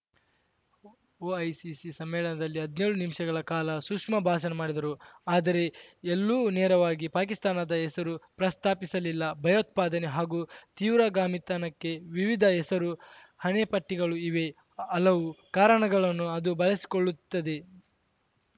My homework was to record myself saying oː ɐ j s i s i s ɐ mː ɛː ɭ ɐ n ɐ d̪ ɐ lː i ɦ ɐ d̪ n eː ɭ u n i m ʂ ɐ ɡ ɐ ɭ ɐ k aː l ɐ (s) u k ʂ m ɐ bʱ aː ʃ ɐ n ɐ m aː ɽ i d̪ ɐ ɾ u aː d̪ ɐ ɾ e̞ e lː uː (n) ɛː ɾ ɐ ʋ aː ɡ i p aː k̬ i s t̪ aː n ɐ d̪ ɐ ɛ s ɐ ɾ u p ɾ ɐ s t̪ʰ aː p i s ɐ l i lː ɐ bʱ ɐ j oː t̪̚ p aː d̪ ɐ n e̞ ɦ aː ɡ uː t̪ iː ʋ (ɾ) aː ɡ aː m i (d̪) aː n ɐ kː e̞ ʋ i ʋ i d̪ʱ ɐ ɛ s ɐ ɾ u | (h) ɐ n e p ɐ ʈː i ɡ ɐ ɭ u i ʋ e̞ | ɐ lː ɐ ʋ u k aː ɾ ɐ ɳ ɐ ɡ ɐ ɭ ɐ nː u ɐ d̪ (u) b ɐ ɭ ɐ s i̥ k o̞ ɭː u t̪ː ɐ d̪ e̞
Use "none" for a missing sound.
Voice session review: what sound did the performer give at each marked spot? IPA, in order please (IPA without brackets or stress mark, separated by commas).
s, n, ɾ, t̪, h, u